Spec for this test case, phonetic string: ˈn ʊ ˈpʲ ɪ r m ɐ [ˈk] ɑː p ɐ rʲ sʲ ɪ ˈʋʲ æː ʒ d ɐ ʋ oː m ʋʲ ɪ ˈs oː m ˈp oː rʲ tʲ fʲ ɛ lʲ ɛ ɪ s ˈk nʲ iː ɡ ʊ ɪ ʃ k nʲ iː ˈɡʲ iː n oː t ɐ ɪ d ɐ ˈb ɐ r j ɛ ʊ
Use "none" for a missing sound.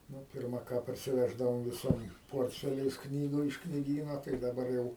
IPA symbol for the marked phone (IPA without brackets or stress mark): k